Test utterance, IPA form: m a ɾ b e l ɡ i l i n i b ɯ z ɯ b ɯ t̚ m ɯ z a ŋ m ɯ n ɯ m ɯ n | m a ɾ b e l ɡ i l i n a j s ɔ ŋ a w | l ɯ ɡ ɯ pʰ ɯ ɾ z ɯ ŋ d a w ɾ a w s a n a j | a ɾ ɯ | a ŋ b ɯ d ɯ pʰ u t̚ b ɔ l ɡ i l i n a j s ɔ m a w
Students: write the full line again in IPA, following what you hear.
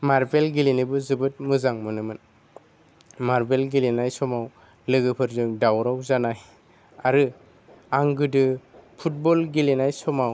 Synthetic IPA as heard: m a ɾ b e l ɡ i l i n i b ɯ z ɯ b ɯ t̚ m ɯ z a ŋ m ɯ n ɯ m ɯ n | m a ɾ b e l ɡ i l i n a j s ɔ m a w | l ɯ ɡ ɯ pʰ ɯ ɾ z ɯ ŋ d a w ɾ a w z a n a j | a ɾ ɯ | a ŋ ɡ ɯ d ɯ pʰ u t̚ b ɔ l ɡ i l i n a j s ɔ m a w